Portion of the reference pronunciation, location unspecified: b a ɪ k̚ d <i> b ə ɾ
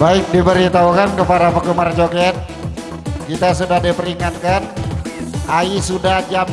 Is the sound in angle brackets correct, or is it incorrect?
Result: correct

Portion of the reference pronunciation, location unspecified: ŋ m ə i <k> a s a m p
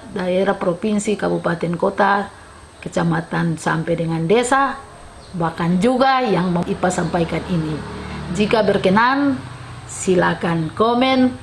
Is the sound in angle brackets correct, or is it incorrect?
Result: incorrect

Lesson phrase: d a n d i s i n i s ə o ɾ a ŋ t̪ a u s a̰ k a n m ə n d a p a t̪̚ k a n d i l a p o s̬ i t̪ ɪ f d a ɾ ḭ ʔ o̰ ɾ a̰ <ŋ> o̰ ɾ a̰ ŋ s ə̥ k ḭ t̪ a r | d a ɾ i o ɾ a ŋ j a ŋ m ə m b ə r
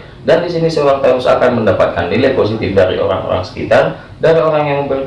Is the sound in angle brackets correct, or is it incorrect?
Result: correct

